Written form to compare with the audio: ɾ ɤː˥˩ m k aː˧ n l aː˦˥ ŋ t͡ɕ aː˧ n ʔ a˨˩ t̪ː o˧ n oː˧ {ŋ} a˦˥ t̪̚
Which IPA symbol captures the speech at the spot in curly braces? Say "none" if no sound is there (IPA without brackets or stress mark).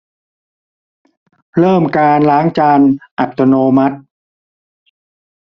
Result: m